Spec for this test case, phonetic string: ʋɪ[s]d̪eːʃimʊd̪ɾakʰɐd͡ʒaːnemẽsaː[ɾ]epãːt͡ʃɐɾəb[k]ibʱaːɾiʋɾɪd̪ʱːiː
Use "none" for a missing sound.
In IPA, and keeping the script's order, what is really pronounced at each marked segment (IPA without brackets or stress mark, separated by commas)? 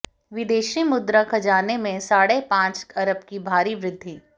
none, ɽ, k